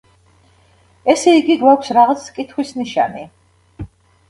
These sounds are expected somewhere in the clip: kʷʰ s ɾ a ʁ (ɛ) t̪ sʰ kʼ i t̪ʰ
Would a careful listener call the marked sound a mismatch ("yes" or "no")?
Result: yes